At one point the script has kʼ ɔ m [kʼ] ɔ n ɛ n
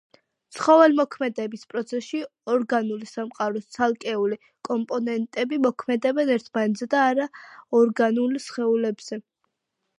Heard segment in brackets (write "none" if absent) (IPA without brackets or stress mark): pʼ